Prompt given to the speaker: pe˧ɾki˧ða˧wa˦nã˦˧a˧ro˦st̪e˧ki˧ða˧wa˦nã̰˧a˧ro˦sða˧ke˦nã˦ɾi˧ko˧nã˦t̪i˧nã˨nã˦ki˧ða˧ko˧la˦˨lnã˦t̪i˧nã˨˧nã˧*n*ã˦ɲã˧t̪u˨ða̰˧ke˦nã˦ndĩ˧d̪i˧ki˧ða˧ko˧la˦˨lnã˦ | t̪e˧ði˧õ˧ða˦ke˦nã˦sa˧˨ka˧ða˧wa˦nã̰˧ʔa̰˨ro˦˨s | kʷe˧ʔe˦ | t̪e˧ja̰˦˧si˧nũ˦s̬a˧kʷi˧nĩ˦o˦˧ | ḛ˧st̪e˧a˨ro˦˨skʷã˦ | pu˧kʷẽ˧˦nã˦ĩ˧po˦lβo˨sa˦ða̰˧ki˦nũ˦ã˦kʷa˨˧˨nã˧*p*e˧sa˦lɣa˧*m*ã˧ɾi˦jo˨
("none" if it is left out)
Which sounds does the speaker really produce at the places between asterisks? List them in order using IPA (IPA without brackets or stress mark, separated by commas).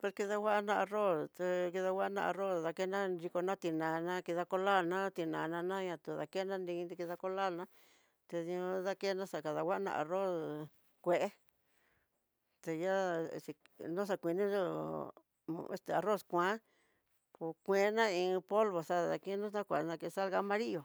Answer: n, k, m